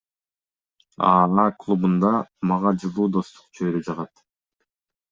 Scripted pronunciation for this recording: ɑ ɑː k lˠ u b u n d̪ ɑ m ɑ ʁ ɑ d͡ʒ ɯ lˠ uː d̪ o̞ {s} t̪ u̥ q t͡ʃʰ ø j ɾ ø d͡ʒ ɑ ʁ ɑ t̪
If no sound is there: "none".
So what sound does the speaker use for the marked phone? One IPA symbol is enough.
s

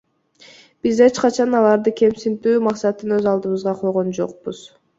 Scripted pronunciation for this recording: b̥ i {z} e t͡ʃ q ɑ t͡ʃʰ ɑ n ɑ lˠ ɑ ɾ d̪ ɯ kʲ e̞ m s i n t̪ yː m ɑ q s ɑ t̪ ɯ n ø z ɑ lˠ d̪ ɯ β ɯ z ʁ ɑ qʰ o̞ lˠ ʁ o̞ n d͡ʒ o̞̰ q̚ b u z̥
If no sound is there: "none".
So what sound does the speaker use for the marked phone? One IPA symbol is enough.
z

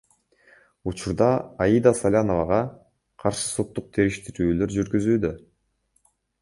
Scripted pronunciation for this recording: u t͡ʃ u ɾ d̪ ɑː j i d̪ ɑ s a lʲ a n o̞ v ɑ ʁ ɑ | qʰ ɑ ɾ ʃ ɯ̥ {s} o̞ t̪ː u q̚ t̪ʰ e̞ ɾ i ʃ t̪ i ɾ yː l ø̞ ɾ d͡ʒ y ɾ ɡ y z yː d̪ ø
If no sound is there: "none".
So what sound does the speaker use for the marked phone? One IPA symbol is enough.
s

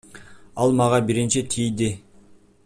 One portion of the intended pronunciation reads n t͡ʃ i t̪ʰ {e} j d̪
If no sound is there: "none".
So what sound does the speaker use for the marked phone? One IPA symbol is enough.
i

